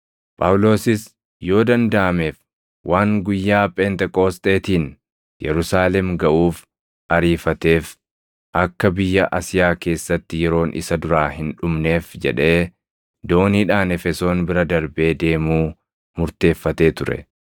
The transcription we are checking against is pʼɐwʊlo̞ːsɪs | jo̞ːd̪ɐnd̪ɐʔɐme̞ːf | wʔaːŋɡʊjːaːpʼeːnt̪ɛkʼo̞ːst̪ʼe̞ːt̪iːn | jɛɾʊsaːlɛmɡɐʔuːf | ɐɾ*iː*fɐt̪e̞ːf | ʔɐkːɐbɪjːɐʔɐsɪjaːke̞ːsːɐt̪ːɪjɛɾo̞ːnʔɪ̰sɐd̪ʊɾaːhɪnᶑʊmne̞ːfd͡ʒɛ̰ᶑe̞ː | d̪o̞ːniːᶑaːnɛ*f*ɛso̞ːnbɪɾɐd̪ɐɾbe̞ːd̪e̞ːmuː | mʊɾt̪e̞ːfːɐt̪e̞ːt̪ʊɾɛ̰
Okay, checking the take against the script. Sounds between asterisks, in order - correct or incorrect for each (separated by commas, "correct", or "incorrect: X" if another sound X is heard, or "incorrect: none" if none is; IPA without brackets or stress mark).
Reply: correct, correct